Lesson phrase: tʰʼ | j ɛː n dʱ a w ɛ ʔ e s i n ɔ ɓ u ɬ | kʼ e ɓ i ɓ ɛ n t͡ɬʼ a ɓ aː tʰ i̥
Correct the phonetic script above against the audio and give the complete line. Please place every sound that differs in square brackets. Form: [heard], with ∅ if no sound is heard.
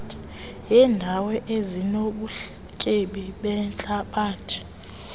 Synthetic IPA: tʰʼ | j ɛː n dʱ a w ɛ ʔ e [z] i n [o] ɓ u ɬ | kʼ e ɓ i ɓ ɛ n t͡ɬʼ a ɓ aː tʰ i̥